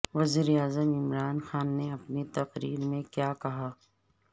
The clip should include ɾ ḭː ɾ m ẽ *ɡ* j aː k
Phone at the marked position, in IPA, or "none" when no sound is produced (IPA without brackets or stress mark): k